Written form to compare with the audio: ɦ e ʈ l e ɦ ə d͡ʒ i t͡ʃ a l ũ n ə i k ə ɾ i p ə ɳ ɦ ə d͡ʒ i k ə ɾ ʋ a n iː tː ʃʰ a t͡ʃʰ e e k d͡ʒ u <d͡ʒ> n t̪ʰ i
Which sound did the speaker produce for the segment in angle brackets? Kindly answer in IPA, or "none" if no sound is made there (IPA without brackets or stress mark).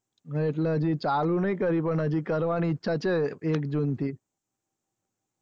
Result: none